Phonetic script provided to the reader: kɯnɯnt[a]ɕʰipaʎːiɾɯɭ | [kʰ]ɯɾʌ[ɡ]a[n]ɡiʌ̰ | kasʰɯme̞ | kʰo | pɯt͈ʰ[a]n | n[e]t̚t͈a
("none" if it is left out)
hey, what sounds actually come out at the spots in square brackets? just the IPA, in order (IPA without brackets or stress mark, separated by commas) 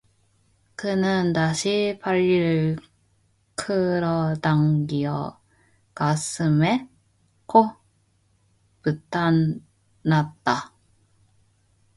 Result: a, kʰ, d, ŋ, a, a